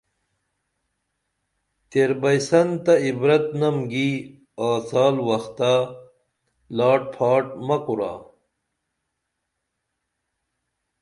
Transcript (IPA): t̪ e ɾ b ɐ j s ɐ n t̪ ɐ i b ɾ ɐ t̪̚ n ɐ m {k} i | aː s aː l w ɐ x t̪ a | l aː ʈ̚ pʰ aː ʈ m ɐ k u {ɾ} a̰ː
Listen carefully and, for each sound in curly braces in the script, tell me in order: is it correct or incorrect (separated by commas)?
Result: incorrect, correct